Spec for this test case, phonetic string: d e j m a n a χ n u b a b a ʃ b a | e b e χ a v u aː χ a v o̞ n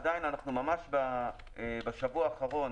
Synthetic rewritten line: d a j n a n a χ n u m a m a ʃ b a | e b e ʃ a v u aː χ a ʁ o̞ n